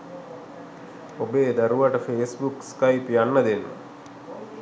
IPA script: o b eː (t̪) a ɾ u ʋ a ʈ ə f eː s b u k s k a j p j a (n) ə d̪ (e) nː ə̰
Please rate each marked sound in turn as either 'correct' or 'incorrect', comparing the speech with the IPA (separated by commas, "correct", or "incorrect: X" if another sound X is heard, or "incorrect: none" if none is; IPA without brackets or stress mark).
incorrect: d̪, incorrect: nː, correct